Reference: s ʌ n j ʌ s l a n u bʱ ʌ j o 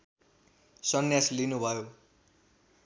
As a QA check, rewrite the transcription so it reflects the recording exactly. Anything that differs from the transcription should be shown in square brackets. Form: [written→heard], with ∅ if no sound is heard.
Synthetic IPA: s ʌ n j [ʌ→a] s l [a→i] n u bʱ ʌ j o